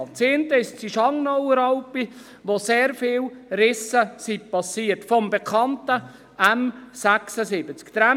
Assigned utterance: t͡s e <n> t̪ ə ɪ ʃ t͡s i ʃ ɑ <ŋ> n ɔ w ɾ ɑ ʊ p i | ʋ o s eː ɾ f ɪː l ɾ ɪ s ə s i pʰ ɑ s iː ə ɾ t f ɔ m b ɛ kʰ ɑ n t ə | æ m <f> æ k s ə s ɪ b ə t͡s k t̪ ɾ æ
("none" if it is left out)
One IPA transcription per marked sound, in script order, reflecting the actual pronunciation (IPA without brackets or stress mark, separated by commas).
n, ŋ, s